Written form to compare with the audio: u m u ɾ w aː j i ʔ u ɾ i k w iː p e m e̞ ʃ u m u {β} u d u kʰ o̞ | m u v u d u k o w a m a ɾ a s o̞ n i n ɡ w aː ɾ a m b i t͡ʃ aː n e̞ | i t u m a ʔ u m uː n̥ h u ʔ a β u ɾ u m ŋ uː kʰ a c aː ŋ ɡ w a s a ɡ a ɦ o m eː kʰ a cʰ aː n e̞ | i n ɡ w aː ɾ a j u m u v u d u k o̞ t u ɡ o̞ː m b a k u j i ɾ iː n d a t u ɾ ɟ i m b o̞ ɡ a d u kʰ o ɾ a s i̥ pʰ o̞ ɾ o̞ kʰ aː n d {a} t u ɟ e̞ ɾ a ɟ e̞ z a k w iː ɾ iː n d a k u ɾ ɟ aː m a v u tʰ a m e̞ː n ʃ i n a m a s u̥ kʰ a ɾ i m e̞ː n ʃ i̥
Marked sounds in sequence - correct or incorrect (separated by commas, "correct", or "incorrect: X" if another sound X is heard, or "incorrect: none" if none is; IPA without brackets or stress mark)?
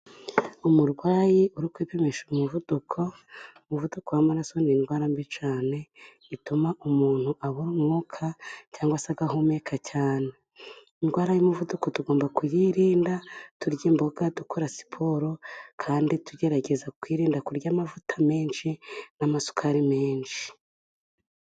incorrect: v, incorrect: i